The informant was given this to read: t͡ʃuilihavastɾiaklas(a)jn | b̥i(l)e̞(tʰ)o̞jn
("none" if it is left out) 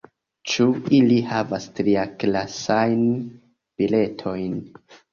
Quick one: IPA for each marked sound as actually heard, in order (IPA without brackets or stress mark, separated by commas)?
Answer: a, l, tʰ